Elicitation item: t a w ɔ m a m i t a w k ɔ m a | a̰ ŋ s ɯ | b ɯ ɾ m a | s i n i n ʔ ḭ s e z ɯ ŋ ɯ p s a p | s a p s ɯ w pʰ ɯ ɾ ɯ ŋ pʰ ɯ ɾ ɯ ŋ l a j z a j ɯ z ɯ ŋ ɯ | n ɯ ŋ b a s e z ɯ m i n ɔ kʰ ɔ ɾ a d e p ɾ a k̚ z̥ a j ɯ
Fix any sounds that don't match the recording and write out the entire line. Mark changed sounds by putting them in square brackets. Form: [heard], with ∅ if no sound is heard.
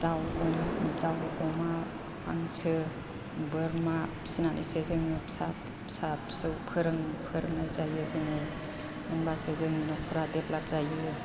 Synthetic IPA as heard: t a w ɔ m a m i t a w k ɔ m a | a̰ ŋ s ɯ | b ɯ ɾ m a | s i n [a] n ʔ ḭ s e z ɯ ŋ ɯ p s a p | s a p s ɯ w pʰ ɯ ɾ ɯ ŋ pʰ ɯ ɾ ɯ ŋ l a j z a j ɯ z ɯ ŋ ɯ | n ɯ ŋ b a s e z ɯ [ŋ] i n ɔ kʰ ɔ ɾ a d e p [l] a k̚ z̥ a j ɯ